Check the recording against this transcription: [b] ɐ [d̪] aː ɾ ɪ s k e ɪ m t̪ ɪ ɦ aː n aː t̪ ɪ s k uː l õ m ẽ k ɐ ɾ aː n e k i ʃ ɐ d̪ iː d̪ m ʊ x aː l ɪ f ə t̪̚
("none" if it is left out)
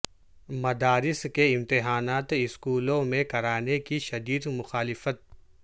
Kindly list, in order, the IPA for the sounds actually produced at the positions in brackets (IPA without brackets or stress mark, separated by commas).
m, d̪